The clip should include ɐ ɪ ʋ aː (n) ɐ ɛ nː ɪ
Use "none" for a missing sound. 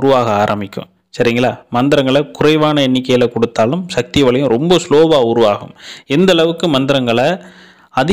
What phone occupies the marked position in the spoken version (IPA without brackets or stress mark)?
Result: n